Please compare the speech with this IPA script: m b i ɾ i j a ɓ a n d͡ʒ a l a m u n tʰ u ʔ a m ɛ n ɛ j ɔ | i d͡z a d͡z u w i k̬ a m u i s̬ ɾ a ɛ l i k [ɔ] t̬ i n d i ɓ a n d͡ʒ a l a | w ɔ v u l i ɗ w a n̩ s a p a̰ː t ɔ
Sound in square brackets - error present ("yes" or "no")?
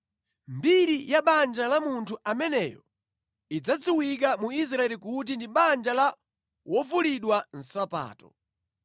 yes